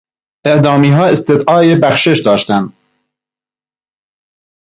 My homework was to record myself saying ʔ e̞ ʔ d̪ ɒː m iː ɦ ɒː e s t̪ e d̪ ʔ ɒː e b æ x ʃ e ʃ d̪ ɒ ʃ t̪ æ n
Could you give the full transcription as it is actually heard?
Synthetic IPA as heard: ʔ e̞ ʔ d̪ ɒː m iː ɦ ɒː e s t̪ e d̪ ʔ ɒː e b æ x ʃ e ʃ d̪ ɒː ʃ t̪ æ n